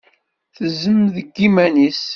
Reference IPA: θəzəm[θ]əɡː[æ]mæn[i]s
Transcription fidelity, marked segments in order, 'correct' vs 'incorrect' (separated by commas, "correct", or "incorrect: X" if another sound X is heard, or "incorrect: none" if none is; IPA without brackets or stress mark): incorrect: ð, incorrect: i, correct